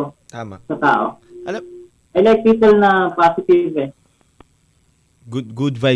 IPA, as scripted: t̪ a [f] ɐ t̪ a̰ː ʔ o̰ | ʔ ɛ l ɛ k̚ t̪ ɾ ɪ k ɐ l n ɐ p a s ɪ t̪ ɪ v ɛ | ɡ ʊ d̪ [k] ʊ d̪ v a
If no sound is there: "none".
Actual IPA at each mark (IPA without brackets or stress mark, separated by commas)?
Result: s, ɡ